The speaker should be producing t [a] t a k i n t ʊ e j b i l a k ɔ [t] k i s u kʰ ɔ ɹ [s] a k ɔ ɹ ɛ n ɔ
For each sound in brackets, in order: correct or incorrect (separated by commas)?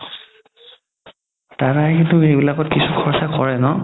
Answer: correct, correct, correct